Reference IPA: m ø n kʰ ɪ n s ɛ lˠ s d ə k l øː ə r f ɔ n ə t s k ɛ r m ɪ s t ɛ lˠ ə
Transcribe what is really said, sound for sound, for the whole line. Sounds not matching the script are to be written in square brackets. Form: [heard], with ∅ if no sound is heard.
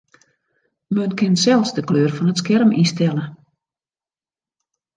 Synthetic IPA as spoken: m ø n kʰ ɪ n s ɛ lˠ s d ə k l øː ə r f ɔ n ə t s k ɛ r m [i] s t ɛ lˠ ə